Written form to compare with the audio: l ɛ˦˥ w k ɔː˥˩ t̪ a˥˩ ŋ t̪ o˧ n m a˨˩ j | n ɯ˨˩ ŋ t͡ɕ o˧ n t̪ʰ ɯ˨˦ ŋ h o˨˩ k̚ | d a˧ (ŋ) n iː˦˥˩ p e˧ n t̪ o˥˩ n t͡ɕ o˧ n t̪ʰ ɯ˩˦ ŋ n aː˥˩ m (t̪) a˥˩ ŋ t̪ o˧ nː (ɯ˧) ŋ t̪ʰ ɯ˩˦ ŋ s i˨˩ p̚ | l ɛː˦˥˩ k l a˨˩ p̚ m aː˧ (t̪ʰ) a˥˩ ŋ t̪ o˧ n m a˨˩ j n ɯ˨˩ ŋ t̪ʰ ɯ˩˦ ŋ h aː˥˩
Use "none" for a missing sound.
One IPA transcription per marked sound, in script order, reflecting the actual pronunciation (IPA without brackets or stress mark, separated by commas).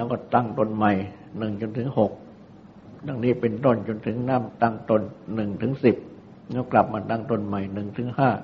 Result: ŋ, t̪, ɯ˨˩, t̪